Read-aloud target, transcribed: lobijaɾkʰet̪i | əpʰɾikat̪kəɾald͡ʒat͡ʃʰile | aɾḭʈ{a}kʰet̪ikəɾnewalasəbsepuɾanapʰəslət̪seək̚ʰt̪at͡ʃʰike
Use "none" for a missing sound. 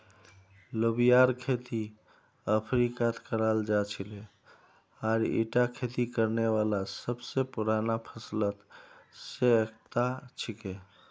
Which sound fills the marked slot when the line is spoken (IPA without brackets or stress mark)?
a